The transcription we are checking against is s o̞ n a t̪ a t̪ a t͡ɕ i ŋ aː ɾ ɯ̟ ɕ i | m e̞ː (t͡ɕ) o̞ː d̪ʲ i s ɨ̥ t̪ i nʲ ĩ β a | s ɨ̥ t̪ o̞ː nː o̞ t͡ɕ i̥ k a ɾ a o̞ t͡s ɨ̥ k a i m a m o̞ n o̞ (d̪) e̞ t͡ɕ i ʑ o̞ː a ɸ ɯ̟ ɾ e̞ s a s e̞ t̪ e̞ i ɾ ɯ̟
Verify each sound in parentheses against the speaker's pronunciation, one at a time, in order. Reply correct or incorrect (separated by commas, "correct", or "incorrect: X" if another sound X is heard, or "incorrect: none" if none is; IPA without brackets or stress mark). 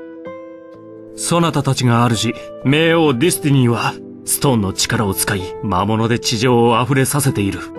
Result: incorrect: none, correct